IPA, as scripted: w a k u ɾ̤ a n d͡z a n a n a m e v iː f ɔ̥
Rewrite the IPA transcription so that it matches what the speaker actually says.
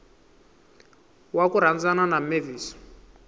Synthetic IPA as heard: w a k u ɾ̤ a n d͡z a n a n a m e v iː s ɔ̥